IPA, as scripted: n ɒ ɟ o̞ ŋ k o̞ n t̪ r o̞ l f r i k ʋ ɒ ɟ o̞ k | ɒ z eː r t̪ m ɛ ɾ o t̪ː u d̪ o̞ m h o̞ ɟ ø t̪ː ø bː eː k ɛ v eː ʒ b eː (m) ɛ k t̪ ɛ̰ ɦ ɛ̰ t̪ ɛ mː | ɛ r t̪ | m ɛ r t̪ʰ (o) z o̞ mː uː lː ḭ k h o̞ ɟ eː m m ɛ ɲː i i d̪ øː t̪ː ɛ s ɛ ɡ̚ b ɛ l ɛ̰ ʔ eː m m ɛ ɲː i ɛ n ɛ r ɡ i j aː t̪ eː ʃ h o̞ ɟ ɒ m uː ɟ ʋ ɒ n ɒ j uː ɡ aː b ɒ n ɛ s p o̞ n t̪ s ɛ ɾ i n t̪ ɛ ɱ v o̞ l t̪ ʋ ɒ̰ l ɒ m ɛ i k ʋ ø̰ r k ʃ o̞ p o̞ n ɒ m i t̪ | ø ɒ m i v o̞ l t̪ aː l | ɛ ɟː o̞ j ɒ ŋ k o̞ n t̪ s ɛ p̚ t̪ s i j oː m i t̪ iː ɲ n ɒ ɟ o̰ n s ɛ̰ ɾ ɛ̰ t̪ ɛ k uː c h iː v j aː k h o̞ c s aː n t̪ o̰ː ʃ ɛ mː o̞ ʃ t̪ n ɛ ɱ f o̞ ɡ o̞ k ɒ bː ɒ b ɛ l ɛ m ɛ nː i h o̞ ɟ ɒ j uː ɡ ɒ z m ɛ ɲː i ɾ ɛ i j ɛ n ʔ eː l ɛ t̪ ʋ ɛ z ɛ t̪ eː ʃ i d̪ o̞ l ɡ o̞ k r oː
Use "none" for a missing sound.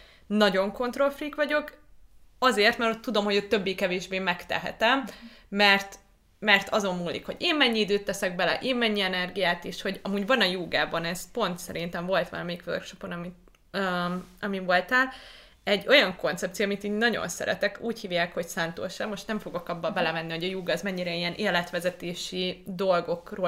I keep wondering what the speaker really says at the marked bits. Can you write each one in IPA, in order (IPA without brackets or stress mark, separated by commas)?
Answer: m, ɒ